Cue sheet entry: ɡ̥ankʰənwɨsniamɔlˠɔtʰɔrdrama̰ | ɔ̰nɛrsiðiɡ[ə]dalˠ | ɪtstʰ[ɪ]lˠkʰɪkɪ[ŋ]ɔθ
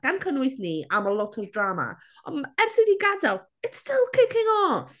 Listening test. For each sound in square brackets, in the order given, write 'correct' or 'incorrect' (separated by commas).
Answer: incorrect, correct, correct